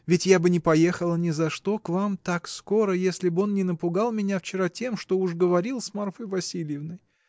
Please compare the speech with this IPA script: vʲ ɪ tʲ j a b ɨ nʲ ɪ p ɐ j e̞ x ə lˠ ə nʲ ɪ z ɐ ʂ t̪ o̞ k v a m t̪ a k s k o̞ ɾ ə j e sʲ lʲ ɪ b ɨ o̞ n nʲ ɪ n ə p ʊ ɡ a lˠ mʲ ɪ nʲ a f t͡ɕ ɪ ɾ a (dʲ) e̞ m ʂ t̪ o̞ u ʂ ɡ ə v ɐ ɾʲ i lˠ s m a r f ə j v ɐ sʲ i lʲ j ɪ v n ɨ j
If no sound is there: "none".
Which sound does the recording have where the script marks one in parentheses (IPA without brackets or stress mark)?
tʲ